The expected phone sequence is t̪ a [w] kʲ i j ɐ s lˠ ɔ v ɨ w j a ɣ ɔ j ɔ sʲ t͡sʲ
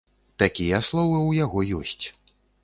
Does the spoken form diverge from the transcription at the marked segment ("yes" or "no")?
yes